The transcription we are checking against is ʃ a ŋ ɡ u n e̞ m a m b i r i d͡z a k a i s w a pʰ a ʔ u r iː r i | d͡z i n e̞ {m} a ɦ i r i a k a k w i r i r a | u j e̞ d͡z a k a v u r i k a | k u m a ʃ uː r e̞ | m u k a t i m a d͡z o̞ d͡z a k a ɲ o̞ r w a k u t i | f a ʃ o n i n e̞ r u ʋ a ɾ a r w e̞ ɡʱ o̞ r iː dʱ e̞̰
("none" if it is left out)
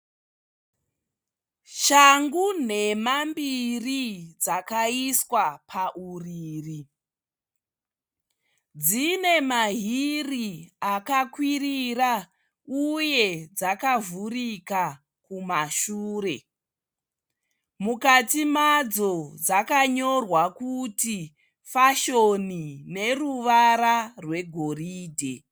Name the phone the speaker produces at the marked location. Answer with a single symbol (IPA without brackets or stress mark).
m